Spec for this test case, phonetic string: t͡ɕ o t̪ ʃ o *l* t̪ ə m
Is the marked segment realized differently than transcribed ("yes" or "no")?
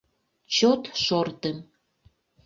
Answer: yes